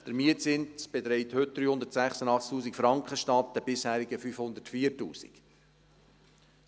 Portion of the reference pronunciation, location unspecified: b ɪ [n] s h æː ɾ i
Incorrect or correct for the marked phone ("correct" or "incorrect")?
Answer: incorrect